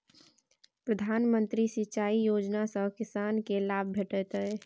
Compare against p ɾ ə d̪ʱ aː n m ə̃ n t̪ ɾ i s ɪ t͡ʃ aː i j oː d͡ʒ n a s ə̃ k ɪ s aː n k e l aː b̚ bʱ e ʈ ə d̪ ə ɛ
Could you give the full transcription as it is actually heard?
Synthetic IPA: p ɾ ə d̪ʱ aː n m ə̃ n t̪ ɾ i s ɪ t͡ʃ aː i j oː d͡ʒ n a s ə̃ k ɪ s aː n k e l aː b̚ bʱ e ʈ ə t̪ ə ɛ